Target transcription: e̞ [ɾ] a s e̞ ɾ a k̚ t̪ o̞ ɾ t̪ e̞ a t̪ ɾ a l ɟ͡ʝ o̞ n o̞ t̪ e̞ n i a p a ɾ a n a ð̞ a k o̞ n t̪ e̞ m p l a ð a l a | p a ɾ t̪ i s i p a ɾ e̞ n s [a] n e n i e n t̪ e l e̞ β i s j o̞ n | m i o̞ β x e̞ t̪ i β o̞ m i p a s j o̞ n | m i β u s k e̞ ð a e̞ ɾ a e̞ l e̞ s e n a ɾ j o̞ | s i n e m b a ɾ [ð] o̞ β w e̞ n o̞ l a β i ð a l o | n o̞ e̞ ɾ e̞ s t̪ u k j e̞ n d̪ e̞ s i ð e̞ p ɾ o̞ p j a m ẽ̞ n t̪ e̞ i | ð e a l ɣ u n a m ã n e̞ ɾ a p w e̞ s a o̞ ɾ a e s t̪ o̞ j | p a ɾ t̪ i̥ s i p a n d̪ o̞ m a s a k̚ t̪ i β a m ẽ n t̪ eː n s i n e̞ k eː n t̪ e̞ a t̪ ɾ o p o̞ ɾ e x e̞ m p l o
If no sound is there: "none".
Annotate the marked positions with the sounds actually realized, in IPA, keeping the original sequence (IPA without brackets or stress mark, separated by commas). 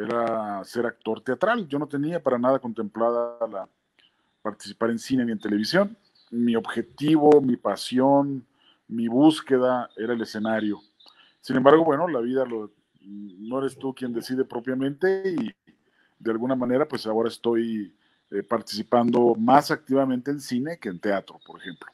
ɾ, i, ɣ